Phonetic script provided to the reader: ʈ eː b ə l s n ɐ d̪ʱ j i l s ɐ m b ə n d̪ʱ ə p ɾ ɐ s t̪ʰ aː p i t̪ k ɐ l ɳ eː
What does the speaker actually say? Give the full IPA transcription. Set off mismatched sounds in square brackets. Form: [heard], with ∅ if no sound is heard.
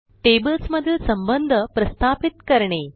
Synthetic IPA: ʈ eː b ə l s [m] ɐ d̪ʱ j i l s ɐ m b ə n d̪ʱ ə p ɾ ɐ s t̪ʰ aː p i t̪ k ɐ [ɾ] ɳ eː